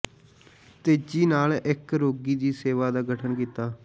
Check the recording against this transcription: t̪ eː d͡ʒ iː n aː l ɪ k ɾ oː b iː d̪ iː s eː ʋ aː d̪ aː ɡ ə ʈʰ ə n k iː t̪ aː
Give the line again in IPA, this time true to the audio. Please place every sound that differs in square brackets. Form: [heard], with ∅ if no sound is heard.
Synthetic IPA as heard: t̪ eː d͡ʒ iː n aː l ɪ k ɾ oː [ɡ] iː d̪ iː s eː ʋ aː d̪ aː ɡ ə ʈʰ ə n k iː t̪ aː